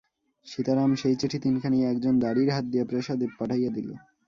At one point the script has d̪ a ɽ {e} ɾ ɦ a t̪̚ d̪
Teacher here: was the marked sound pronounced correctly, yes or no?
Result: no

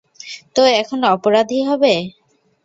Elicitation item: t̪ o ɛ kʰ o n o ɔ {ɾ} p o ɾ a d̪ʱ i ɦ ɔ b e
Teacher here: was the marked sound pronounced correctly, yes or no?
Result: no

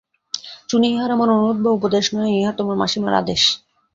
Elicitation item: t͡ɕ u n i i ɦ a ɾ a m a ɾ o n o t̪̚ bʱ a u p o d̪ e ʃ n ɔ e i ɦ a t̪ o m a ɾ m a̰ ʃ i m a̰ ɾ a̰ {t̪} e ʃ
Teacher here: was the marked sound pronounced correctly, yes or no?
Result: no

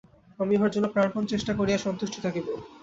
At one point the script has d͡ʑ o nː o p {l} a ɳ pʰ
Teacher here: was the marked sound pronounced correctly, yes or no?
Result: no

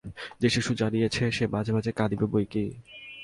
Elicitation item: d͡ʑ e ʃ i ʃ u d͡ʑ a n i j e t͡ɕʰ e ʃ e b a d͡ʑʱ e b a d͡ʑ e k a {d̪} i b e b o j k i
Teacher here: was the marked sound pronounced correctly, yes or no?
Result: yes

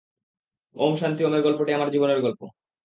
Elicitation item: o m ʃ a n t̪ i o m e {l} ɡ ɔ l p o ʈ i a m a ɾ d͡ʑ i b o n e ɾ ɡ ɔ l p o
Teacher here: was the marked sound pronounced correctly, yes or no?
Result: no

